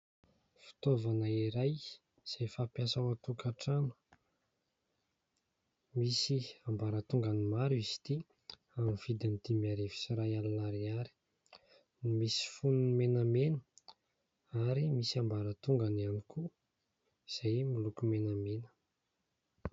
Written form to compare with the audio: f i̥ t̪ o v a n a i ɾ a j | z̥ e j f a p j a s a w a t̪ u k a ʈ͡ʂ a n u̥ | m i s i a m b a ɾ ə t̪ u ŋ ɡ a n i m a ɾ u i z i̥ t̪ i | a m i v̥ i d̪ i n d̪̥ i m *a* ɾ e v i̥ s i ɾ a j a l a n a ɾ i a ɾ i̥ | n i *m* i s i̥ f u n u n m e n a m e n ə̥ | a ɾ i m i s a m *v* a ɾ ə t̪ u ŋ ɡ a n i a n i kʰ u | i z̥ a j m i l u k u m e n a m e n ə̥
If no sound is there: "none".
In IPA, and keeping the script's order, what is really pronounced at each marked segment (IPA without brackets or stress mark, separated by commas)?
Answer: a, m, b